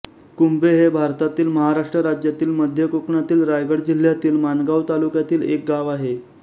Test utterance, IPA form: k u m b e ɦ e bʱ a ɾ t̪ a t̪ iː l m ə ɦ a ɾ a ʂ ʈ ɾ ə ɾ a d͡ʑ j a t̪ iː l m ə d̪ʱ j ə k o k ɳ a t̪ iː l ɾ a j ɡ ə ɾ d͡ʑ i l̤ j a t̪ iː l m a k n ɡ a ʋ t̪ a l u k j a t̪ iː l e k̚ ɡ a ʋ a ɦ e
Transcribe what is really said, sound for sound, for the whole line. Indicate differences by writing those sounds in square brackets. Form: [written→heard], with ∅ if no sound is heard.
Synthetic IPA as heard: k u m b e ɦ e bʱ a ɾ t̪ a t̪ iː l m ə ɦ a ɾ a ʂ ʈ ɾ ə ɾ a d͡ʑ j a t̪ iː l m ə d̪ʱ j ə k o k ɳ a t̪ iː l ɾ a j ɡ ə [ɾ→ɽ] d͡ʑ i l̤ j a t̪ iː l m a [k→∅] n ɡ a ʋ t̪ a l u k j a t̪ iː l e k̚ ɡ a ʋ a ɦ e

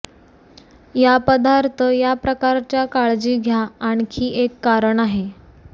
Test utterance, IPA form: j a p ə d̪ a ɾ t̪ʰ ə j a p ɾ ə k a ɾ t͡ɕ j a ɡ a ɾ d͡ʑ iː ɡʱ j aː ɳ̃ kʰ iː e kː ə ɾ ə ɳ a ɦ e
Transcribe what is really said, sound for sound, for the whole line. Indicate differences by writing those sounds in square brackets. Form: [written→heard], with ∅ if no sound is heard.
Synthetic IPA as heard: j a p ə d̪ a ɾ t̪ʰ ə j a p ɾ ə k a ɾ t͡ɕ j a [ɡ→k] a [ɾ→ɭ] d͡ʑ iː ɡʱ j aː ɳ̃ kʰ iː e kː [ə→a] ɾ ə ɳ a ɦ e

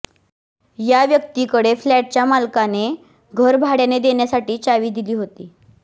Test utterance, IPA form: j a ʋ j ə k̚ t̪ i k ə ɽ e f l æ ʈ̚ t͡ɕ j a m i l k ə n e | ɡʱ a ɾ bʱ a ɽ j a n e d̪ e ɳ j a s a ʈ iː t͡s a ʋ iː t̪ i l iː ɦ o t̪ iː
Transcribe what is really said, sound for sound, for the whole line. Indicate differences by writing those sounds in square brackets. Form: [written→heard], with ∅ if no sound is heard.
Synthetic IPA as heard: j a ʋ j ə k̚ t̪ i k ə ɽ e f l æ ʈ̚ t͡ɕ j a m [i→a] l k [ə→a] n e | ɡʱ [a→ə] ɾ bʱ a ɽ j a n e d̪ e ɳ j a s a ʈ iː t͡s a ʋ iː [t̪→d̪] i l iː ɦ o t̪ iː

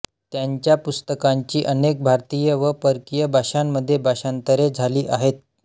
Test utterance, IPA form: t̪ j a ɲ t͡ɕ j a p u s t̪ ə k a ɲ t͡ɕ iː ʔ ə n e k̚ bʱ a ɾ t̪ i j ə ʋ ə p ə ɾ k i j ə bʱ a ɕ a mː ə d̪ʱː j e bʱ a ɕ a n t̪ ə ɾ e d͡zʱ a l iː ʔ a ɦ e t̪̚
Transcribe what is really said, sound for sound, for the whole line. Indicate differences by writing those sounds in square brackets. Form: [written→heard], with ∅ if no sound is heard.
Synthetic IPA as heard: t̪ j a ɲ t͡ɕ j a p u s t̪ ə k a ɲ t͡ɕ iː ʔ ə n e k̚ bʱ a ɾ t̪ i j ə ʋ ə p ə ɾ k i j ə bʱ a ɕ a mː ə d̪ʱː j e bʱ a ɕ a n t̪ ə ɾ e d͡zʱ a l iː ʔ a ɦ e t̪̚

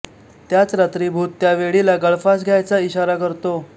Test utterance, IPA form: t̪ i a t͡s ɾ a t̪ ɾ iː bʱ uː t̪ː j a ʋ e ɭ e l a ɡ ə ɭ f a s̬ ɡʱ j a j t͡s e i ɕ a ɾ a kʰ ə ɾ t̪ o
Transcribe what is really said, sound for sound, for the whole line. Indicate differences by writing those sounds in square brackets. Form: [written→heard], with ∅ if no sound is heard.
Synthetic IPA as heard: t̪ [i→j] a t͡s ɾ a t̪ ɾ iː bʱ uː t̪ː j a ʋ e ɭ [e→i] l a ɡ ə ɭ f a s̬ ɡʱ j a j t͡s [e→a] i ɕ a ɾ a [kʰ→k] ə ɾ t̪ o

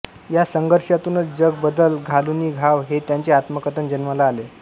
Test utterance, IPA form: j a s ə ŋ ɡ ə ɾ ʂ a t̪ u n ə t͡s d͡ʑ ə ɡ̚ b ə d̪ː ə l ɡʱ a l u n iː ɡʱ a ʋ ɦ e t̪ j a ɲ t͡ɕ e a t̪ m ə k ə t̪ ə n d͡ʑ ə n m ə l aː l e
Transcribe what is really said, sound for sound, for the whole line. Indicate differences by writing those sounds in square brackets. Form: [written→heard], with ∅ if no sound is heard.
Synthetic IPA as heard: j a s ə ŋ ɡ ə ɾ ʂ a t̪ u n ə t͡s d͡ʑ ə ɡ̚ b ə [d̪ː→d̪] ə l ɡʱ a l u n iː ɡʱ a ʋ ɦ e t̪ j a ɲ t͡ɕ e a t̪ m ə k ə t̪ ə n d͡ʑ ə n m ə l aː l e

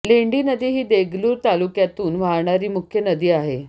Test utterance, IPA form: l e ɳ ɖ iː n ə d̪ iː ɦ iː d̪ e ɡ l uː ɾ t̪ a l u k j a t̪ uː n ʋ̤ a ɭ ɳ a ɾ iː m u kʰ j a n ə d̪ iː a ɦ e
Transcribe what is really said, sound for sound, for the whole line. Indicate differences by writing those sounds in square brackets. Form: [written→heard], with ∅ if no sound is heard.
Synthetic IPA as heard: l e ɳ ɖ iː n ə d̪ iː ɦ iː d̪ e ɡ l uː ɾ t̪ a l u k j a t̪ uː n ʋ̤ a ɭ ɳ a ɾ iː m u kʰ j [a→ə] n ə d̪ iː a ɦ e

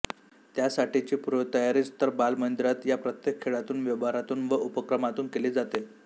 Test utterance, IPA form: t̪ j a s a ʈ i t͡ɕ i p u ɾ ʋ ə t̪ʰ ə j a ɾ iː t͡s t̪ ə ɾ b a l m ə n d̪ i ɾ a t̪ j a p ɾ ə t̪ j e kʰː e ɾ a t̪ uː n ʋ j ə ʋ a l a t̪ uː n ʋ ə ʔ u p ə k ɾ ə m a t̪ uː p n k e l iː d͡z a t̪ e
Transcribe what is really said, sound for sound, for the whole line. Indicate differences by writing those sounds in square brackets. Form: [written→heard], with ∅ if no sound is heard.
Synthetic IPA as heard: t̪ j a s a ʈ i t͡ɕ [i→iː] p u ɾ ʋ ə [t̪ʰ→t̪] ə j a ɾ iː t͡s t̪ ə ɾ b a l m ə n d̪ i ɾ a t̪ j a p ɾ ə t̪ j e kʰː e [ɾ→ɭ] a t̪ uː n ʋ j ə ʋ a [l→ɾ] a t̪ uː n ʋ ə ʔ u p ə k ɾ ə m a t̪ uː [p→∅] n k e l iː d͡z a t̪ e

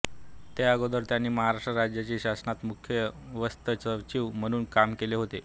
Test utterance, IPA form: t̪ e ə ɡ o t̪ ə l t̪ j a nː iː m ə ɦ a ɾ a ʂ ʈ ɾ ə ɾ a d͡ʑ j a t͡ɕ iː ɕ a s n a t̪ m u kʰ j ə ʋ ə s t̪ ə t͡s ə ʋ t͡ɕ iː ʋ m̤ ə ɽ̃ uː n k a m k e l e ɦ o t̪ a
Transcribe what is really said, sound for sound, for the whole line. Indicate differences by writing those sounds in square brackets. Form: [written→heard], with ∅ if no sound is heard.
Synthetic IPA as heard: t̪ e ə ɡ o [t̪→d̪] ə [l→ɾ] t̪ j a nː iː m ə ɦ a ɾ a ʂ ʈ ɾ ə ɾ a d͡ʑ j a t͡ɕ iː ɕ a s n a t̪ m u kʰ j ə ʋ ə s t̪ ə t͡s ə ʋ t͡ɕ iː ʋ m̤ ə ɽ̃ uː n k a m k e l e ɦ o t̪ [a→e]

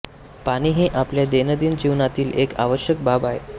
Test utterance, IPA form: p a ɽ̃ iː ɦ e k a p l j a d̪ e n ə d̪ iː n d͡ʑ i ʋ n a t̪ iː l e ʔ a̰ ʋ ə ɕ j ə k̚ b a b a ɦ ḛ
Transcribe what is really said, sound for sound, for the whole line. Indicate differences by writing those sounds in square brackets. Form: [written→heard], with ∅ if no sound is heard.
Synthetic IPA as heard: p a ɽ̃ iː ɦ e [k→ʔ] a p l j a d̪ e n ə d̪ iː n d͡ʑ i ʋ n a t̪ iː l e [ʔ→k] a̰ ʋ ə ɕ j ə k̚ b a b a ɦ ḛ

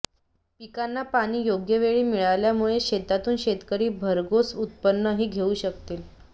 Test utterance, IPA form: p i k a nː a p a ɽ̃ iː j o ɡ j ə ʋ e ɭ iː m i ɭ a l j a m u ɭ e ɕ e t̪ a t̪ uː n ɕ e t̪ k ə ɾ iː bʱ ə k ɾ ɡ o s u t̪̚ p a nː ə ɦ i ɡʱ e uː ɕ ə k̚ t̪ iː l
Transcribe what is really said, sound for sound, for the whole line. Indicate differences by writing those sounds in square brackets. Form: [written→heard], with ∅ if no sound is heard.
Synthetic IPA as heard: p i k a nː a p a ɽ̃ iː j o ɡ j ə ʋ e ɭ iː m i ɭ a l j a m u ɭ e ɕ e t̪ a t̪ uː n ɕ e t̪ k ə ɾ iː bʱ ə [k→∅] ɾ ɡ o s u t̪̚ p [a→ə] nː ə ɦ [i→iː] ɡʱ e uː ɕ ə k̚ t̪ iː l

